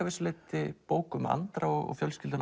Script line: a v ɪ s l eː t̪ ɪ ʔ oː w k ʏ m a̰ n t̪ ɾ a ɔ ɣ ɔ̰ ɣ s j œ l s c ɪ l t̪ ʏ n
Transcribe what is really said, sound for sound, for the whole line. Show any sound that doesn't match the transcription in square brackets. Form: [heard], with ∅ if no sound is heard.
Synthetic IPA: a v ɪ s l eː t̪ ɪ [p] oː w k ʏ m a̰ n t̪ ɾ a ɔ ɣ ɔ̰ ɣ [f] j œ l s c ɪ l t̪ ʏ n

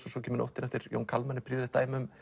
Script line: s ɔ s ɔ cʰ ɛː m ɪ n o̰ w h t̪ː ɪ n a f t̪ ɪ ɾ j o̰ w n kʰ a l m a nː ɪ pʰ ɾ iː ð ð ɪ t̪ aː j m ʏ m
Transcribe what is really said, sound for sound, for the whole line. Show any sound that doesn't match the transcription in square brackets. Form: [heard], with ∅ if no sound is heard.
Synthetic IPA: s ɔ s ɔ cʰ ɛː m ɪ n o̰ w h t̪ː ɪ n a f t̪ ɪ ɾ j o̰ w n kʰ a l m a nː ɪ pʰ ɾ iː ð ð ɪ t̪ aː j m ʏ m

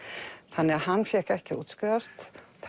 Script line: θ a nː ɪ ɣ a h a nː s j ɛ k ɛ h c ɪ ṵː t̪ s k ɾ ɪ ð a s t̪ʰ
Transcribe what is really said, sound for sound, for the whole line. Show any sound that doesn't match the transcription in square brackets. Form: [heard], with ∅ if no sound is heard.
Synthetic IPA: θ a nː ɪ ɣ a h a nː [f] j ɛ k ɛ h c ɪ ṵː t̪ s k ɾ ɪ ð a s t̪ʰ

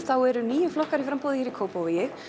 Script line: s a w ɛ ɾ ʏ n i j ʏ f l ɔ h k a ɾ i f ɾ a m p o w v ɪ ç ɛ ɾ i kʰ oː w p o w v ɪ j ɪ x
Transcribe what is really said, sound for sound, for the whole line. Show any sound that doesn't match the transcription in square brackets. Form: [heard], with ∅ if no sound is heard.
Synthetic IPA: [θ] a w ɛ ɾ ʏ n [iː] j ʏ f l ɔ h k a ɾ i f ɾ a m p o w [ð] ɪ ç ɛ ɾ i kʰ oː w p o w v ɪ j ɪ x

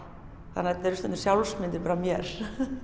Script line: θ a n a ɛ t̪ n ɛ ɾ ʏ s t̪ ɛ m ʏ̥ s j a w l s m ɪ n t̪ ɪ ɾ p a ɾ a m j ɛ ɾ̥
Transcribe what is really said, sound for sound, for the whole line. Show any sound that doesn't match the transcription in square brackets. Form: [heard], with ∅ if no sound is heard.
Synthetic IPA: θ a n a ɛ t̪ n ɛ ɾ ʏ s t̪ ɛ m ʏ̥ s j a w l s m ɪ n t̪ ɪ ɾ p a ɾ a m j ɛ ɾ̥

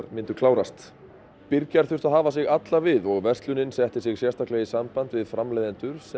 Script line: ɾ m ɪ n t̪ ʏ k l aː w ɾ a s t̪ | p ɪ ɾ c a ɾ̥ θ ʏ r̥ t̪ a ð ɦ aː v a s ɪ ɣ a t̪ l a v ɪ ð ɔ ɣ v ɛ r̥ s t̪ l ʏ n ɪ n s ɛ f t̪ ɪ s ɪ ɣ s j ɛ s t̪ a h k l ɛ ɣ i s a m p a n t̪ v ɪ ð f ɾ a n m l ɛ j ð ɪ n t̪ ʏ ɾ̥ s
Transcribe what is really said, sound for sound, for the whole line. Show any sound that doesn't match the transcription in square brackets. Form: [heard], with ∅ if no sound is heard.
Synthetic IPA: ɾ m ɪ n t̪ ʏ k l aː w ɾ a s t̪ | p ɪ ɾ c a ɾ̥ θ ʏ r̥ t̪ a ð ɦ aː v a s ɪ ɣ a t̪ l a v ɪ ð ɔ ɣ v ɛ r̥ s t̪ l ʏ n ɪ n s ɛ [h] t̪ ɪ s ɪ ɣ s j ɛ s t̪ a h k l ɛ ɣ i s a m p a n t̪ v ɪ ð f ɾ a [∅] m l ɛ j ð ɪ n t̪ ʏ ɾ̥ s

